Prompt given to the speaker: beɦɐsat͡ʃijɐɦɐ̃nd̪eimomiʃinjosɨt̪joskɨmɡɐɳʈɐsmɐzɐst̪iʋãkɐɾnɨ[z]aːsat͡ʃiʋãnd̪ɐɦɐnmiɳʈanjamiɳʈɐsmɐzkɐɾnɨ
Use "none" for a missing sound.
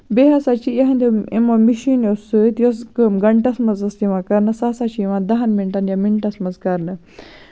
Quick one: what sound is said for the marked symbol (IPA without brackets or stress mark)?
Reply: s